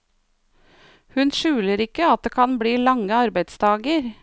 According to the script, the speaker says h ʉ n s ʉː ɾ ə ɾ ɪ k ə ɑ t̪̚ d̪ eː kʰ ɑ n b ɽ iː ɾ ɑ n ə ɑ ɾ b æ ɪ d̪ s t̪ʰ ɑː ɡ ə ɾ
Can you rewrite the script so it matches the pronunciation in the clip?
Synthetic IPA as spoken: h ʉ n ʃ ʉː l ə ɾ ɪ k ə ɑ t̪̚ d̪ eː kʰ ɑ n b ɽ iː l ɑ ŋ ə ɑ ɾ b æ ɪ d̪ s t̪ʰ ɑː ɡ ə ɾ